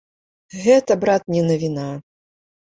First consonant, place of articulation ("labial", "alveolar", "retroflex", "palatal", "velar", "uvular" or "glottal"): velar